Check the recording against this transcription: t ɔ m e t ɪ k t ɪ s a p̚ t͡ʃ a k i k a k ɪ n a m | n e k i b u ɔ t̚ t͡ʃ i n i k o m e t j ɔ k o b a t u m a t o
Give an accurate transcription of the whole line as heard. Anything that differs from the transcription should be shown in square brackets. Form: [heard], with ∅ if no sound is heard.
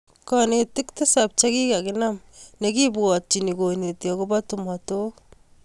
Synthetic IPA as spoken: [k] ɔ [n] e t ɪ k t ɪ s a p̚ t͡ʃ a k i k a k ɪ n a m | n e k i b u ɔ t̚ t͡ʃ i n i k o [n] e t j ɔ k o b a t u m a t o